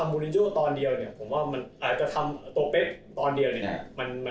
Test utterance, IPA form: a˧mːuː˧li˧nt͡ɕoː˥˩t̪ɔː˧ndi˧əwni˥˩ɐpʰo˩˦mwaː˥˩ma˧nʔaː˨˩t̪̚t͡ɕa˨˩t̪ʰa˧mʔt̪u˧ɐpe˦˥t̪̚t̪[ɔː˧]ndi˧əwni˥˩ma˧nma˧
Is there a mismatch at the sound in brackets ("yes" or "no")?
no